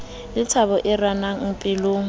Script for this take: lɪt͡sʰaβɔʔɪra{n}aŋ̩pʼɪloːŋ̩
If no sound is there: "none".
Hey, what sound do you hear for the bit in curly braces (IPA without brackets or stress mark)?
n